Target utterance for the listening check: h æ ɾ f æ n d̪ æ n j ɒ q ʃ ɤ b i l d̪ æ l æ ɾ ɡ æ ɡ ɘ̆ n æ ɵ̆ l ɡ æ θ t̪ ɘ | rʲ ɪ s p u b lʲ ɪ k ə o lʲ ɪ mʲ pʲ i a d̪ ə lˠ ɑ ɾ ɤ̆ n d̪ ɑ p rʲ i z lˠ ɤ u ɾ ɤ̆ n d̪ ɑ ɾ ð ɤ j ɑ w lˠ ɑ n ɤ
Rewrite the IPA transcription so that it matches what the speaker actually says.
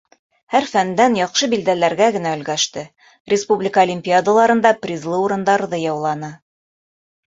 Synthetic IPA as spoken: h æ ɾ f æ n d̪ æ n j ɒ q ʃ ɤ b i l d̪ æ l æ ɾ ɡ æ ɡ ɘ̆ n æ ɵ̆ l ɡ æ ʃ t̪ ɘ | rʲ ɪ s p u b lʲ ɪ k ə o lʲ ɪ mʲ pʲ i a d̪ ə lˠ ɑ ɾ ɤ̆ n d̪ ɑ p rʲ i z lˠ ɤ u ɾ ɤ̆ n d̪ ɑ ɾ ð ɤ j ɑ w lˠ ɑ n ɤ